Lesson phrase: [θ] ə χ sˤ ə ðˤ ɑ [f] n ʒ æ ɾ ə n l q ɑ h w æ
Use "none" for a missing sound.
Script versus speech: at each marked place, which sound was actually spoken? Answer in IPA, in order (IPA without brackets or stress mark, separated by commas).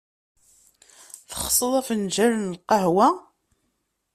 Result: θ, f